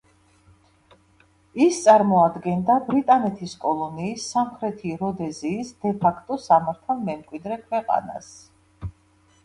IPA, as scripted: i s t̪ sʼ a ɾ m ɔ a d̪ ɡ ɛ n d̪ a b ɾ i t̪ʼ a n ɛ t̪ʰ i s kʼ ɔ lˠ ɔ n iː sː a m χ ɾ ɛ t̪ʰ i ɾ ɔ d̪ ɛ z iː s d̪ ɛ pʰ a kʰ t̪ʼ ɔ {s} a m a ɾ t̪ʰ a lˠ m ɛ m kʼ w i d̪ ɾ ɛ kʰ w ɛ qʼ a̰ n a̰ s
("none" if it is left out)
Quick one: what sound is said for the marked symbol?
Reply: s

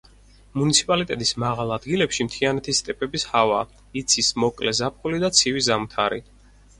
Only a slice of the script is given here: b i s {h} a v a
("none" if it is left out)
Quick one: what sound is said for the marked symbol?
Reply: h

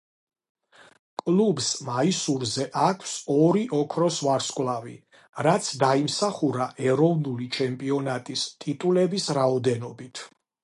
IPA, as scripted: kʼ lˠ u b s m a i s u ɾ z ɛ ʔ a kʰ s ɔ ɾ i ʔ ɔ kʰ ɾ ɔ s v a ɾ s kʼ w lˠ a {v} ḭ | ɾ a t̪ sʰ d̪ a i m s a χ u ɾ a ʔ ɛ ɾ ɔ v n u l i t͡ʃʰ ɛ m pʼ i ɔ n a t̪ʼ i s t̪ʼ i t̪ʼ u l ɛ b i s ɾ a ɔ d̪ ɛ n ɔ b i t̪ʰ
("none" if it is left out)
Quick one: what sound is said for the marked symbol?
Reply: v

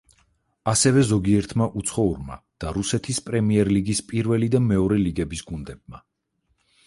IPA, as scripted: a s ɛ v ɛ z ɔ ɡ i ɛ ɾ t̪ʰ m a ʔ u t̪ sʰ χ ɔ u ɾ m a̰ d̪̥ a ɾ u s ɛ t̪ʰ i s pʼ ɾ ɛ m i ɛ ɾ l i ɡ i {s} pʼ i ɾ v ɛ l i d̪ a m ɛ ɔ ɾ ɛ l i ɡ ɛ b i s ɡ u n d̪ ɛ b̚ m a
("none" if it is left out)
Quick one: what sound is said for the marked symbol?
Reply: s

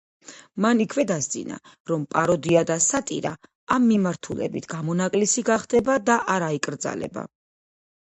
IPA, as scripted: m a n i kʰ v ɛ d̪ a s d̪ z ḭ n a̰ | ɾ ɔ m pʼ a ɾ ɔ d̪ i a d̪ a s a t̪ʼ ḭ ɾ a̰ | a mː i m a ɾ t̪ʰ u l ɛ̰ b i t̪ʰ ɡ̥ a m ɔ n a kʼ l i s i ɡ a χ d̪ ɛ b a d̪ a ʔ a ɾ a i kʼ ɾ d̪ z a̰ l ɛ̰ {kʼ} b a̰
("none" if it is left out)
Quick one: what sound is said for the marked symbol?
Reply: none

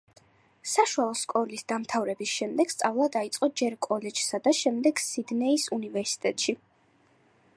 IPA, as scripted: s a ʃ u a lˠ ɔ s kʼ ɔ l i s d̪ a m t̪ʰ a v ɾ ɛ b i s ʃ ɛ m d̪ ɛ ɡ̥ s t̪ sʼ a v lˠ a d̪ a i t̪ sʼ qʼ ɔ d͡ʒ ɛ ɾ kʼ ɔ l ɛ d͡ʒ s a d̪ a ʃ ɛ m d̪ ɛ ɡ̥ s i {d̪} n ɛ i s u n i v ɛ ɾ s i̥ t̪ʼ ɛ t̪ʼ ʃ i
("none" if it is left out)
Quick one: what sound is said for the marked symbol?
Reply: d̪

